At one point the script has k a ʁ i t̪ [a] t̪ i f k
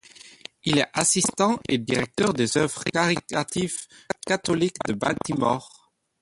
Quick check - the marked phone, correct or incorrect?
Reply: correct